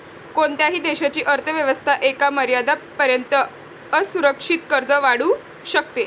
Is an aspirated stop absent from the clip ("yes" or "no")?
no